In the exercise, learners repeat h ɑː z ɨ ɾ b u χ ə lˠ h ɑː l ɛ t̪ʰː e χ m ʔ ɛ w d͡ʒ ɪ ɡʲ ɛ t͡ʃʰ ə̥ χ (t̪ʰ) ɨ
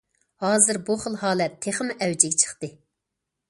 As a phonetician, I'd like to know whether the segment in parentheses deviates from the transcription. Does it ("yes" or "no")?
yes